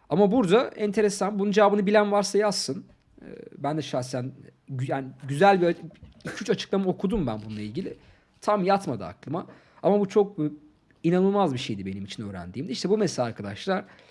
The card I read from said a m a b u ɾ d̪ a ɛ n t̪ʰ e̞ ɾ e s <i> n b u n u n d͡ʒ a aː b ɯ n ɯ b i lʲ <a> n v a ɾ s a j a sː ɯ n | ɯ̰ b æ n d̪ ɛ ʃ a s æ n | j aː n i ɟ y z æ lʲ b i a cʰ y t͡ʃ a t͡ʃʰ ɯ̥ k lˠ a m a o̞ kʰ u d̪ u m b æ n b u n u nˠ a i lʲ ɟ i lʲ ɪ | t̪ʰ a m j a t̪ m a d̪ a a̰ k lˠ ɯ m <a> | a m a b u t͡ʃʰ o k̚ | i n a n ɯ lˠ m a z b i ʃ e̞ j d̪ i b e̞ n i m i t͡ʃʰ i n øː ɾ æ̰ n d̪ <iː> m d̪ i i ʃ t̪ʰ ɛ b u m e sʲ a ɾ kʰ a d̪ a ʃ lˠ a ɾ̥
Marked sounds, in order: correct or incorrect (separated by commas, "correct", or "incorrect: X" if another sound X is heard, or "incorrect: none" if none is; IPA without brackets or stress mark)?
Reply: incorrect: a, incorrect: æ, correct, correct